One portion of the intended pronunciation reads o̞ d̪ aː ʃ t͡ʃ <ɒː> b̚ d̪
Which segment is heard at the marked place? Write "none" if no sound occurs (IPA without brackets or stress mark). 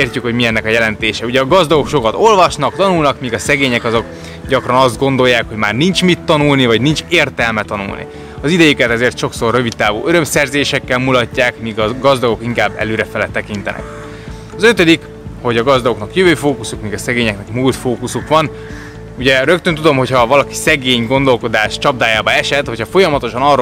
ɒ